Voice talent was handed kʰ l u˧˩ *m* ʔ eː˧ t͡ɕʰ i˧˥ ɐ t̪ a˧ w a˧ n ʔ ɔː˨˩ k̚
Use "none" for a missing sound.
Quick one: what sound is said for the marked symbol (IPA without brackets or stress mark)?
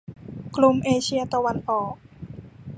m